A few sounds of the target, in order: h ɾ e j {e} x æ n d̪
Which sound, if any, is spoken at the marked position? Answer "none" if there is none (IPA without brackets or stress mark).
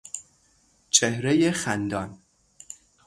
e